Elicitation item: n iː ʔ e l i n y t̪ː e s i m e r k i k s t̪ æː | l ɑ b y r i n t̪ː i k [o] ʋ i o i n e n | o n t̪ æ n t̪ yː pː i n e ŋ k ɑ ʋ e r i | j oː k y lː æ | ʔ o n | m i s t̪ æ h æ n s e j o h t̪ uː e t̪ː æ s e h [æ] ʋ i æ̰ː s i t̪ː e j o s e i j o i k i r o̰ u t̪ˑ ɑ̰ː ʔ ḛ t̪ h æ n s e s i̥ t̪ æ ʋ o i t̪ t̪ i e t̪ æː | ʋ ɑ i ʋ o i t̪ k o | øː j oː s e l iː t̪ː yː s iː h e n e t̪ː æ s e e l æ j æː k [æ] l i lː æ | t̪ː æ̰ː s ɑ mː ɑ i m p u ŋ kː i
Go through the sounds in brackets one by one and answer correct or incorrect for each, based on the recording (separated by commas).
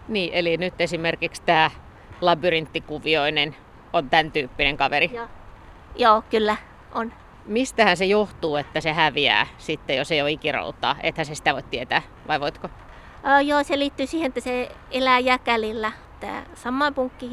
incorrect, correct, correct